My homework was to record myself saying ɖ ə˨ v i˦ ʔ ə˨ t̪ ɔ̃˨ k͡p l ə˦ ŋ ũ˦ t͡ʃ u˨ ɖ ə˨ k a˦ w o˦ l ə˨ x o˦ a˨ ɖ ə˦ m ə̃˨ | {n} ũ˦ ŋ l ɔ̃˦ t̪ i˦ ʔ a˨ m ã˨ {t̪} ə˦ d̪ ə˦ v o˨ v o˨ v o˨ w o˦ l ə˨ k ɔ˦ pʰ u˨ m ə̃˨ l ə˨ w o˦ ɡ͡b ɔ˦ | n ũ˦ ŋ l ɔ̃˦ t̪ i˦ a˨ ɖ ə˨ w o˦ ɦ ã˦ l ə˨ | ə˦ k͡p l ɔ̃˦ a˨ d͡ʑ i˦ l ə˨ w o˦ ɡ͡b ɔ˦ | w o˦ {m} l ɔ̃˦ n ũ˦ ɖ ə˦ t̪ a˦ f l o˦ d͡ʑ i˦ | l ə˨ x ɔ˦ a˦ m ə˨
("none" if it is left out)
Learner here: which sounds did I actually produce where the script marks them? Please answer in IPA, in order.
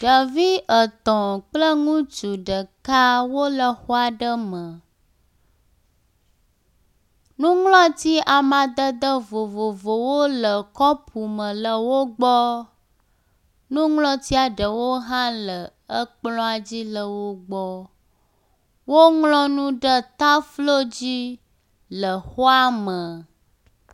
n, d̪, ŋ

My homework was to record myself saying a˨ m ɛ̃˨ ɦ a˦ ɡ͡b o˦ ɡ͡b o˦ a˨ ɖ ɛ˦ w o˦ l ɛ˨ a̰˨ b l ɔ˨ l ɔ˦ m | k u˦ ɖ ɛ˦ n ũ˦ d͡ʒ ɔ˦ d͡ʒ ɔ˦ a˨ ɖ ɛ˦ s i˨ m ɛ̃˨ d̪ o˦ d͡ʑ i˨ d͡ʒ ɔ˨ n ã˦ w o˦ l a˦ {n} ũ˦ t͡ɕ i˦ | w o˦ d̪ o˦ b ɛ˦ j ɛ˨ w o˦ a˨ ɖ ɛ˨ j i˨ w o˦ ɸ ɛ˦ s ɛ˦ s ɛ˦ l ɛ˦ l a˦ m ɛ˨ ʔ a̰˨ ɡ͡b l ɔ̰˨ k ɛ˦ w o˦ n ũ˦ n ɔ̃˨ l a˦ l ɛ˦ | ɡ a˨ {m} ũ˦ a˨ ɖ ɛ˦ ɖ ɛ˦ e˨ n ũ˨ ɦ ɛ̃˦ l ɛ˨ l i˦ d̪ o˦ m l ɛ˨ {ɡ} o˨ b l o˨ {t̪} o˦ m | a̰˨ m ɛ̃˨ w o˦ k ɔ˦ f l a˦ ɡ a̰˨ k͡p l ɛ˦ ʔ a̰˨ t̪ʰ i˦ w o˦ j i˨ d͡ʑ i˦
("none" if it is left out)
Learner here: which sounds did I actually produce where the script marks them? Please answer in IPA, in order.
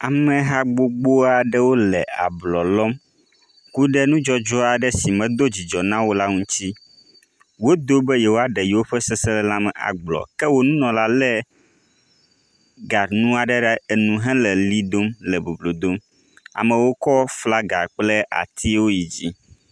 ŋ, n, b, d̪

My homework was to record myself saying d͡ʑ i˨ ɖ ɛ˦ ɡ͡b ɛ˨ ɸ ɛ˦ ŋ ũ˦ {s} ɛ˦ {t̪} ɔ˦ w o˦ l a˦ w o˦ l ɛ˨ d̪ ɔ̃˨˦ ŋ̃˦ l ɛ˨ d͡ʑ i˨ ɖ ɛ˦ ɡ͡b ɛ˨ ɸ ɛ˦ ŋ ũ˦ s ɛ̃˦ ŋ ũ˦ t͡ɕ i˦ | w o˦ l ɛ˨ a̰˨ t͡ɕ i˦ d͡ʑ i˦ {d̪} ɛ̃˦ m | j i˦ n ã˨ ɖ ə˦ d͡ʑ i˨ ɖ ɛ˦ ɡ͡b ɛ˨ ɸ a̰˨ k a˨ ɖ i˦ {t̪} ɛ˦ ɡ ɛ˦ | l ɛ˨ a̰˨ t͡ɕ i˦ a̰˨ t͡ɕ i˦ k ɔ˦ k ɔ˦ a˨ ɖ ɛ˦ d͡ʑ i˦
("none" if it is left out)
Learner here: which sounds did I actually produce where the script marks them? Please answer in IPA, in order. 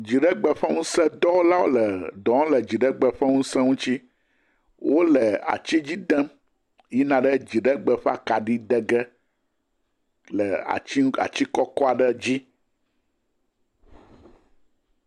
s, d̪, d̪, d̪

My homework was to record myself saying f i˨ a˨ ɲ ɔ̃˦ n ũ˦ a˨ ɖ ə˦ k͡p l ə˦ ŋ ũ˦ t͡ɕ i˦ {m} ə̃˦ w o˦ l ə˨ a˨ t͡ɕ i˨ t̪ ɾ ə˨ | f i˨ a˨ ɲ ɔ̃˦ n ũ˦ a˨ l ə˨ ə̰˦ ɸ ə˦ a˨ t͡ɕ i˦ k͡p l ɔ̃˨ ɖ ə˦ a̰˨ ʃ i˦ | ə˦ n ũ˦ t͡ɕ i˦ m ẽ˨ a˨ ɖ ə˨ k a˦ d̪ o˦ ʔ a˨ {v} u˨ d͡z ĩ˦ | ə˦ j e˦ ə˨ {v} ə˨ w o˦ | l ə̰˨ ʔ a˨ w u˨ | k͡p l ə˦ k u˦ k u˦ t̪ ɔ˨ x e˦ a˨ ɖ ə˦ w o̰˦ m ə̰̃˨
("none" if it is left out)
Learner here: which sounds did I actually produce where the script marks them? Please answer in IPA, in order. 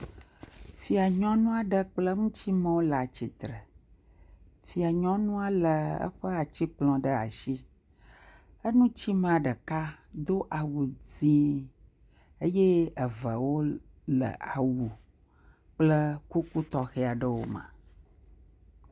m, w, v

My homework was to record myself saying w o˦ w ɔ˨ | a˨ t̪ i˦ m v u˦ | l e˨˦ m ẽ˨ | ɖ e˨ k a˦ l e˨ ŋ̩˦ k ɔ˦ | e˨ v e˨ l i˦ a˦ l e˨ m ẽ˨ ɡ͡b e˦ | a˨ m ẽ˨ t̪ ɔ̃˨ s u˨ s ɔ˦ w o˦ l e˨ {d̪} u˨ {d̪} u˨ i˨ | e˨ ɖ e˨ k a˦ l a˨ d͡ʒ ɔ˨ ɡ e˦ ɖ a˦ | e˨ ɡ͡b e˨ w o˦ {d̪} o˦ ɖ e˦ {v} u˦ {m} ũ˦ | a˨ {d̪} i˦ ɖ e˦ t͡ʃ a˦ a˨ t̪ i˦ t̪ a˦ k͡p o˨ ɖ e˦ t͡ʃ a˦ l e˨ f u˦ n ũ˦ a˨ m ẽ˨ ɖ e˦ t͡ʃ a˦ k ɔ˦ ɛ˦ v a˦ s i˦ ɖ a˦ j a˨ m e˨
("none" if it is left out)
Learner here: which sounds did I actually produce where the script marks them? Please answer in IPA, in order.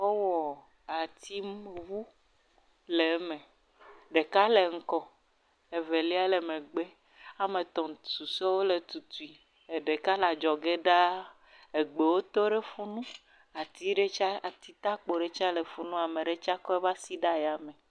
t̪, t̪, t̪, f, n, t̪

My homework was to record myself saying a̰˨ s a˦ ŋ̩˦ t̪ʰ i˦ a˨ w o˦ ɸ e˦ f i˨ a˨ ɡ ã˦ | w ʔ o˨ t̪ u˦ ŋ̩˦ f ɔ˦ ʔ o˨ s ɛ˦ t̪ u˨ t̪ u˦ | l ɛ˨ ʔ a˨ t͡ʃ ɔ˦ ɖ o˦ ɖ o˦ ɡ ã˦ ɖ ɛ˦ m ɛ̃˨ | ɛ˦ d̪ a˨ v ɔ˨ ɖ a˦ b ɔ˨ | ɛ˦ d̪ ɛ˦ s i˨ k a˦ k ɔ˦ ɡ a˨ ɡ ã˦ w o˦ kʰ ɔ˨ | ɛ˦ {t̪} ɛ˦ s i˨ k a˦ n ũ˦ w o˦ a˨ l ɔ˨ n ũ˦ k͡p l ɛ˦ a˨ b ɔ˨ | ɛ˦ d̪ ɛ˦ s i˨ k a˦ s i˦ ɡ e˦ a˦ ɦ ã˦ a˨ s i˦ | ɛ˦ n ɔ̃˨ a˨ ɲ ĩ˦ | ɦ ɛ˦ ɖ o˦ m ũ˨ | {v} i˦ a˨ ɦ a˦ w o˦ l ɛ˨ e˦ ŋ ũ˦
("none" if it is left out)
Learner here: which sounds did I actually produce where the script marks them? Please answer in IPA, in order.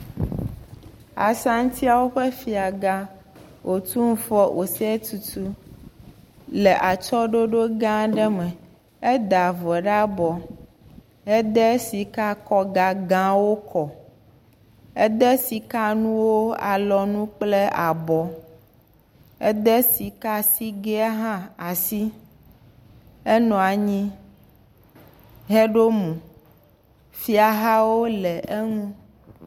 d̪, f

